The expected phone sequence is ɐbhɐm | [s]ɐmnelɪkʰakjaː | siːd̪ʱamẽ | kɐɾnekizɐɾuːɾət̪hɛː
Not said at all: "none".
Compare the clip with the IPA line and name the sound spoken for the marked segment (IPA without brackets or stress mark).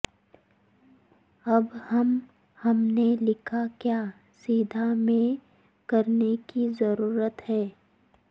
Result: h